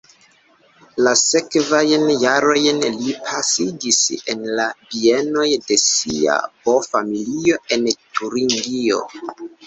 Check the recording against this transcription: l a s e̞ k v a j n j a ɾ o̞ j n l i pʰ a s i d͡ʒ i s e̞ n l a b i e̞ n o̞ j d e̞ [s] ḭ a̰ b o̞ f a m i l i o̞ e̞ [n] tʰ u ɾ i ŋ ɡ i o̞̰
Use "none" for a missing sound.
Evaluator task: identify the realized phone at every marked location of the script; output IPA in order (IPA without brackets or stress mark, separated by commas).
s, n